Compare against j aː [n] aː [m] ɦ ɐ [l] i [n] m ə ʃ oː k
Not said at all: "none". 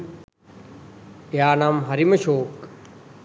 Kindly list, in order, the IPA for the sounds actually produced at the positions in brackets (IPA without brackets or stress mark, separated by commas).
n, m, ɾ, none